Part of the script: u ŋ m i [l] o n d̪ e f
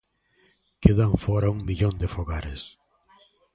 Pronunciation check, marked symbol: incorrect: ʎ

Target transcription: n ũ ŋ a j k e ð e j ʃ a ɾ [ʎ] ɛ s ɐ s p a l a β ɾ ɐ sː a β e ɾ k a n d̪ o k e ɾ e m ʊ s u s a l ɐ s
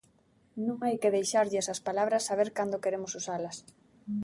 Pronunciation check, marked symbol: correct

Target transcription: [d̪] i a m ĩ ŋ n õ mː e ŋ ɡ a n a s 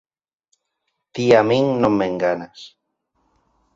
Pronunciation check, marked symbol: incorrect: t̪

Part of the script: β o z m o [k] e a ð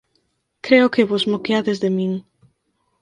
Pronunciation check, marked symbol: correct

